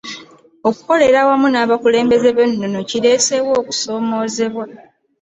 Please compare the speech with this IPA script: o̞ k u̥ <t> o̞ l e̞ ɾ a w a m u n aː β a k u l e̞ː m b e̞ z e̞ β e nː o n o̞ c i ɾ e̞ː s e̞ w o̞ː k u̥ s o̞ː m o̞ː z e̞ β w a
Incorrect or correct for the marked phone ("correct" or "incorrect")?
incorrect